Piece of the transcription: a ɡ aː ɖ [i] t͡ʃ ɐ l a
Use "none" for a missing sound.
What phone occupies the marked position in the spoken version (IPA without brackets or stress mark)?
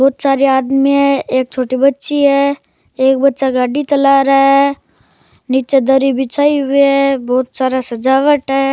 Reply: i